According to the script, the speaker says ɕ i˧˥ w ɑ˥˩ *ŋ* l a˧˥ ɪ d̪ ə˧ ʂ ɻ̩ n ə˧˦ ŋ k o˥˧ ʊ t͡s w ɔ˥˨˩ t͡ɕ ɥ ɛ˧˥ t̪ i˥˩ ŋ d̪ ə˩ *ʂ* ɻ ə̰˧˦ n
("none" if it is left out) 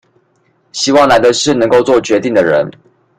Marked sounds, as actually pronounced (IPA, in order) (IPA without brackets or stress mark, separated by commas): ŋ, none